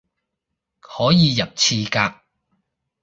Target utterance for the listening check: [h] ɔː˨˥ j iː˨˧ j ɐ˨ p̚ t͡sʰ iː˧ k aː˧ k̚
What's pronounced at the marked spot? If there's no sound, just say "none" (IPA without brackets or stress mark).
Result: h